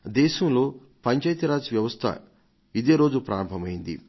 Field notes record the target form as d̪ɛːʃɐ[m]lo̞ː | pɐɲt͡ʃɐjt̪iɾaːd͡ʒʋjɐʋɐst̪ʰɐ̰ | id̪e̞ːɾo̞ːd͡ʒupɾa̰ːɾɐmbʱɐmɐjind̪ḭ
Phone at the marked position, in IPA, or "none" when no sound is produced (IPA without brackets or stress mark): m